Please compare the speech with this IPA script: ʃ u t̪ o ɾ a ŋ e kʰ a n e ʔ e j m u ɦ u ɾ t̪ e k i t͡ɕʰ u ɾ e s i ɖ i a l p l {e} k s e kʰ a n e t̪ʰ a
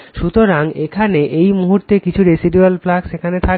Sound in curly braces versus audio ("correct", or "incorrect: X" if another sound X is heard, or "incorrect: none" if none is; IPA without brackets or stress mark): incorrect: a